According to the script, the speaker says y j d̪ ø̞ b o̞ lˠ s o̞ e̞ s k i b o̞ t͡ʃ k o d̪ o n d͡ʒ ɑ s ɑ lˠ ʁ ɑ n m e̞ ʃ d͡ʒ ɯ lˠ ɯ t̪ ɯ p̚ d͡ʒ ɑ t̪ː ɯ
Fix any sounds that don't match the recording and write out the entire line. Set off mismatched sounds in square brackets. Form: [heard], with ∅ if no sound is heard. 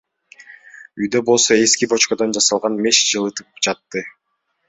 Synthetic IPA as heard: y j d̪ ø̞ b o̞ lˠ s o̞ e̞ s k i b o̞ t͡ʃ k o d̪ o n d͡ʒ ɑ s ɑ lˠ ʁ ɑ n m e̞ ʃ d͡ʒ ɯ lˠ ɯ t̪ ɯ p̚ d͡ʒ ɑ t̪ː ɯ